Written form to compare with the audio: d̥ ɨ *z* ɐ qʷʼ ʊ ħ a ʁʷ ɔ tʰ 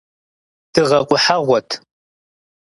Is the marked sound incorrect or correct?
incorrect